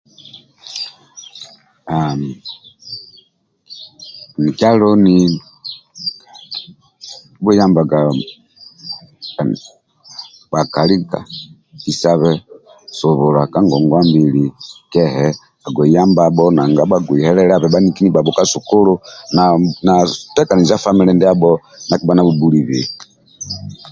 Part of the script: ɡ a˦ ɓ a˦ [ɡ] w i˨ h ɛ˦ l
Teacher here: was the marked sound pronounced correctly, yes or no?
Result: yes